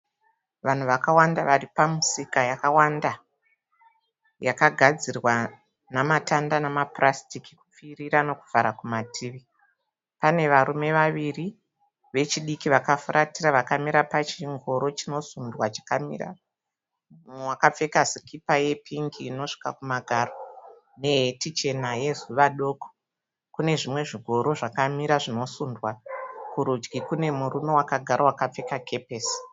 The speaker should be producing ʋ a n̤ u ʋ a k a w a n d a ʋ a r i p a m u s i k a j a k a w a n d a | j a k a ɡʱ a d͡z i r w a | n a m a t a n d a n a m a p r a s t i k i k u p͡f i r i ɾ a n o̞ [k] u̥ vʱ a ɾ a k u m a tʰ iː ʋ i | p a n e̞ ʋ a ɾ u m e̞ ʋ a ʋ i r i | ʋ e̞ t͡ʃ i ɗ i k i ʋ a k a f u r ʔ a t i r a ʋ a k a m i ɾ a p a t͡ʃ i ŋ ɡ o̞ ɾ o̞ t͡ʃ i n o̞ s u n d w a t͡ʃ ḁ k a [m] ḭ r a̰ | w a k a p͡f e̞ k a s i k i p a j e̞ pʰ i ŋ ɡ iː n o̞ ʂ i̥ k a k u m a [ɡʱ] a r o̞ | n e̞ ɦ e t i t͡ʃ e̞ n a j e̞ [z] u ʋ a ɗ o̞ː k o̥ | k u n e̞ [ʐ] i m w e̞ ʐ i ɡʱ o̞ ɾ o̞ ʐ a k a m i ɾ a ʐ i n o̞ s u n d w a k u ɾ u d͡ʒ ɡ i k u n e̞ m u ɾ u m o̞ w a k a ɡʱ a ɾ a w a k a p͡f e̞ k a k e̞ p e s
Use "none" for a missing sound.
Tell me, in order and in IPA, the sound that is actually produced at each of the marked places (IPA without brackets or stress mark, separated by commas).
k, m, ɡʱ, z, ʐ